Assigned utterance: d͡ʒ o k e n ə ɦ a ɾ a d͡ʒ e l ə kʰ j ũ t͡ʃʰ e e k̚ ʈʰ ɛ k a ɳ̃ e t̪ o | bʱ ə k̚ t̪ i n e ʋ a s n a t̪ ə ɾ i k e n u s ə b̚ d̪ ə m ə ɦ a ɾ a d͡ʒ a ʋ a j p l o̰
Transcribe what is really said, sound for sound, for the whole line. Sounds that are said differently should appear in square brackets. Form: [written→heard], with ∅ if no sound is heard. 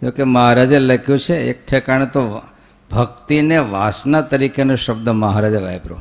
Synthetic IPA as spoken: d͡ʒ o k e [n→m] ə ɦ a ɾ a d͡ʒ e l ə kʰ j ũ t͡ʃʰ e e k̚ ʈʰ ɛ k a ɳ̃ e t̪ o | bʱ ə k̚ t̪ i n e ʋ a s n a t̪ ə ɾ i k e n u [s→ʃ] ə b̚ d̪ ə m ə ɦ a ɾ a d͡ʒ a ʋ a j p [l→ɾ] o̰